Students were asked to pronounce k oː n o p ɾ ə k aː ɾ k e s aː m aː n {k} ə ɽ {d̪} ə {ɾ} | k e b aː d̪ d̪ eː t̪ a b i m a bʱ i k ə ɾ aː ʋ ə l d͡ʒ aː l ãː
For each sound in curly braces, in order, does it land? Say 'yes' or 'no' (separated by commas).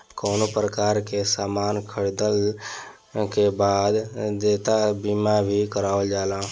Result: no, yes, no